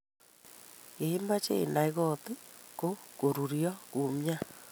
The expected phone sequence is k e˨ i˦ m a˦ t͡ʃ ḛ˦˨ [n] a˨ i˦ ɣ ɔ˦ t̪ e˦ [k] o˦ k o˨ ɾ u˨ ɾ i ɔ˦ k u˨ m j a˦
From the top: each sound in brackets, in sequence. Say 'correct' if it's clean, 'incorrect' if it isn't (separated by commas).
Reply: correct, correct